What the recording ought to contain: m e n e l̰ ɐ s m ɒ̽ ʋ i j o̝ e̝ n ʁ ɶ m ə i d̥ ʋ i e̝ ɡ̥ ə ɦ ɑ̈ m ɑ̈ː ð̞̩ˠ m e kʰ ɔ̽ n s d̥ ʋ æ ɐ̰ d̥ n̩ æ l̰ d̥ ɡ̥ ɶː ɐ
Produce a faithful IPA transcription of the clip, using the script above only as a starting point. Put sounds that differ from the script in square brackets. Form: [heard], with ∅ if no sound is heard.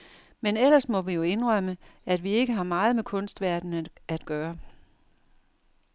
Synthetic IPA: m e n e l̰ ɐ s m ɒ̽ ʋ i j o̝ e̝ n ʁ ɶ m ə [æ] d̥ ʋ i e̝ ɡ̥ ə ɦ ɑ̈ m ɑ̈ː ð̞̩ˠ m e kʰ ɔ̽ n s d̥ ʋ æ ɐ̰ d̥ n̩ æ [∅] d̥ ɡ̥ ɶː ɐ